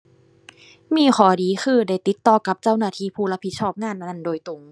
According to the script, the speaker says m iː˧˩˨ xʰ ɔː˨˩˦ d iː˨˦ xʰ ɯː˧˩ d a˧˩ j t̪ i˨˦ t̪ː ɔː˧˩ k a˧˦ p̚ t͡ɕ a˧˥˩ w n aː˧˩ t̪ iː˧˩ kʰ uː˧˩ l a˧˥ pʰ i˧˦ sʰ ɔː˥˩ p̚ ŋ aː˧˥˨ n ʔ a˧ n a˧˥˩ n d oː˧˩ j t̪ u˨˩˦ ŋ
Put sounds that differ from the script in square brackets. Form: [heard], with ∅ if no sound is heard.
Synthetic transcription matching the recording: m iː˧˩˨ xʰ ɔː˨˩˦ d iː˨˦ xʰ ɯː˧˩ d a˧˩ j t̪ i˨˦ t̪ː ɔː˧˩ k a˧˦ p̚ t͡ɕ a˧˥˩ w n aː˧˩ [t̪ʰ] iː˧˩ [pʰ] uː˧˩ l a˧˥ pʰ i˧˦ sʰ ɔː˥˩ p̚ ŋ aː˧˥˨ n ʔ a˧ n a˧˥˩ n d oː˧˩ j t̪ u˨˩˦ ŋ